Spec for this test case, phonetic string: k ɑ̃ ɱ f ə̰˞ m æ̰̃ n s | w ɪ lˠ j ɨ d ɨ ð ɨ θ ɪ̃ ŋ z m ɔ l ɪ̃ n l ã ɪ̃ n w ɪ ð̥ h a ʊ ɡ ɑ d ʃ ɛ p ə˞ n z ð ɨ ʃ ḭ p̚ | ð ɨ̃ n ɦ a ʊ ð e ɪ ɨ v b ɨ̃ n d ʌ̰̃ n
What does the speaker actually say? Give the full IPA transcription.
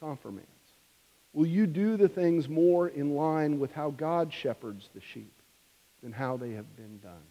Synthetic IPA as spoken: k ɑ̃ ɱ f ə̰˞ m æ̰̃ n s | w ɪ lˠ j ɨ d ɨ ð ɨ θ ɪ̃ ŋ z m ɔ ɹ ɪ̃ n l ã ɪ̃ n w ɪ ð̥ h a ʊ ɡ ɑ d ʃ ɛ p ə˞ d z ð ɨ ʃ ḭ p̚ | ð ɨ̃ n ɦ a ʊ ð e ɪ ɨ v b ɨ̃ n d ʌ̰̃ n